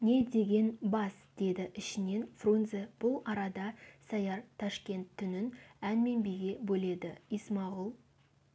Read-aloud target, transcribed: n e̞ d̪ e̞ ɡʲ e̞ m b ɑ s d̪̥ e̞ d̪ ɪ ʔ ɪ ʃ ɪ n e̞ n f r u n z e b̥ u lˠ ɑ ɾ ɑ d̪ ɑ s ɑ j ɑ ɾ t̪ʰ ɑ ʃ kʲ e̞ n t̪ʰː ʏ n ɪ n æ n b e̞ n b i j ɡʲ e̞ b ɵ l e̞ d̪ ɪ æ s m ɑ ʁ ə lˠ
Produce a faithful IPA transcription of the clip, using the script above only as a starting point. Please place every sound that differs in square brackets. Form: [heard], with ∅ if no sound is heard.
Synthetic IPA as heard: n e̞ d̪ e̞ ɡʲ e̞ [n] b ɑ s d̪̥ e̞ d̪ ɪ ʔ ɪ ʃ ɪ n e̞ n f r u n z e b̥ [ʊ] lˠ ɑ ɾ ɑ d̪ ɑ s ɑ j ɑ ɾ t̪ʰ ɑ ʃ kʲ e̞ n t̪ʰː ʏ n ɪ n æ n [m] e̞ n b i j ɡʲ e̞ b ɵ l e̞ d̪ ɪ [i] s m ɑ ʁ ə lˠ